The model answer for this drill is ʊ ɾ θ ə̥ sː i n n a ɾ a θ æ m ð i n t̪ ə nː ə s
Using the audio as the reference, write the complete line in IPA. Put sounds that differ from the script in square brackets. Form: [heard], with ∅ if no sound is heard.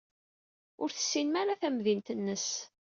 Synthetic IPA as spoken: ʊ ɾ θ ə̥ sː i n [m] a ɾ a θ æ m ð i n t̪ ə nː ə s